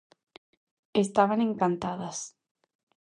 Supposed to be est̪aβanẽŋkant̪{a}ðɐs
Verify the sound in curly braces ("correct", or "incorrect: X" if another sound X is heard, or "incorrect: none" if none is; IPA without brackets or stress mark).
correct